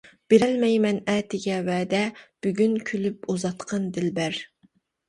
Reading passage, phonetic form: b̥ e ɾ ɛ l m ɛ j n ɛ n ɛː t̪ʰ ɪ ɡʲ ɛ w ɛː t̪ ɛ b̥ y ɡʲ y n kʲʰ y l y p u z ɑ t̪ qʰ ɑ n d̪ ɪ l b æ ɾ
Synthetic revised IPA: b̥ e ɾ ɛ l m ɛ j m ɛ n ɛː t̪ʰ ɪ ɡʲ ɛ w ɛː d̪ ɛ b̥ y ɡʲ y n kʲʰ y l y p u z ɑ t̪ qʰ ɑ n d̪ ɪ l b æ ɾ